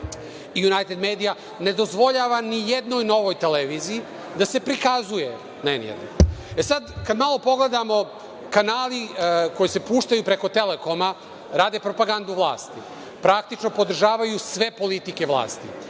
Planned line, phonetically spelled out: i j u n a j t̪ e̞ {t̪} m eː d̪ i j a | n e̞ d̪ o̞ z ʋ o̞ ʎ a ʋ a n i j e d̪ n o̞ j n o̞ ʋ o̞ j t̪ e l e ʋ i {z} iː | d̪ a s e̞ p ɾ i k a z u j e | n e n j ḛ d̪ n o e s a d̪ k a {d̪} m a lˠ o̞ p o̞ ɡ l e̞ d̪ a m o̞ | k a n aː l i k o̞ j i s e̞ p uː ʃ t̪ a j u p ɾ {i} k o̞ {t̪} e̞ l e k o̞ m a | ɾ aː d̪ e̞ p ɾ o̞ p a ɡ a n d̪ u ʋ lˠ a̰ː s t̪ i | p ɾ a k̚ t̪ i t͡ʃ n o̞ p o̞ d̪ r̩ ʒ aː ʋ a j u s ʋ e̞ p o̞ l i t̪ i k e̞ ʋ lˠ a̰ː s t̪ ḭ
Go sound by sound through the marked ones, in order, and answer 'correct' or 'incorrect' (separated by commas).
incorrect, correct, correct, incorrect, correct